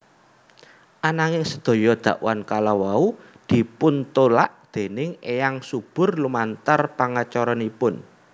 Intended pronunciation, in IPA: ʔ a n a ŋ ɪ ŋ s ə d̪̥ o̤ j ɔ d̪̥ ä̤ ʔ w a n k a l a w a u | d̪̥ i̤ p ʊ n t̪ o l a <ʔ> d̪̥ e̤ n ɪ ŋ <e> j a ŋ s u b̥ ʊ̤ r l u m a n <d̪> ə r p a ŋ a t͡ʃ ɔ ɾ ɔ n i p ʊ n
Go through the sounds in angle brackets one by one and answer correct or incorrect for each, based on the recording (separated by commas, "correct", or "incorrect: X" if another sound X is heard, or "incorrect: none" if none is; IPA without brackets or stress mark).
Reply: correct, correct, incorrect: t̪